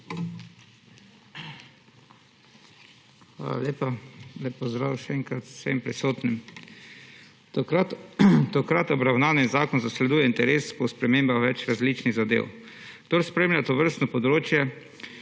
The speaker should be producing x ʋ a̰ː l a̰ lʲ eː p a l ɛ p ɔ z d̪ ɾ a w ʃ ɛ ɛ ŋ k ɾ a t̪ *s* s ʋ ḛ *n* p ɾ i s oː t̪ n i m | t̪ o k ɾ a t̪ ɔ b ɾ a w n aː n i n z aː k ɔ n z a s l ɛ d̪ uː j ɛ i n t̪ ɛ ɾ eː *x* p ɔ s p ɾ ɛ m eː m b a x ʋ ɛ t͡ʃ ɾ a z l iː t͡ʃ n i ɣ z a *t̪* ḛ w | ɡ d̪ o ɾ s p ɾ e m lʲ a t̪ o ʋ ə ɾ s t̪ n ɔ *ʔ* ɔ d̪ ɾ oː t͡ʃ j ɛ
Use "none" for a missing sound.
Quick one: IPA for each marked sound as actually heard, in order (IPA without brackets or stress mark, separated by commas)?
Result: s, m, s, d̪, p